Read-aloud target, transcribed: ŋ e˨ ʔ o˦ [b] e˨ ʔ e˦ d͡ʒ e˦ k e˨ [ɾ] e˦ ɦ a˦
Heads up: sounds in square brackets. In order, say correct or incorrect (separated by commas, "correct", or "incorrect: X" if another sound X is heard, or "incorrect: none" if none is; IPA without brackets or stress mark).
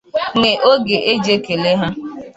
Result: incorrect: ɡ, incorrect: l